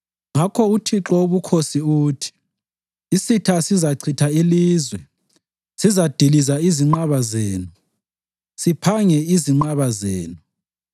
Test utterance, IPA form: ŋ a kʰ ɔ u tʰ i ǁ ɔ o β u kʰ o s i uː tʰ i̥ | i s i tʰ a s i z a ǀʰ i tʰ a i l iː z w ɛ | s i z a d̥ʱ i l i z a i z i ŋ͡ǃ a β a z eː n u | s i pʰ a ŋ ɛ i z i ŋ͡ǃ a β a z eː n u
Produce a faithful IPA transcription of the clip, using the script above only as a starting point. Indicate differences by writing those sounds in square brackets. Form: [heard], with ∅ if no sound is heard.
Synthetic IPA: ŋ a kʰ ɔ u tʰ i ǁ ɔ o β u kʰ o s i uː tʰ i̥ | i s i tʰ a s i z a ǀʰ i tʰ a i l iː z w ɛ | s i z a d̥ʱ i l i z a i z i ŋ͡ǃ a β a z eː n u | s i pʰ a ŋ ɛ i z i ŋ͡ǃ a β a z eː n u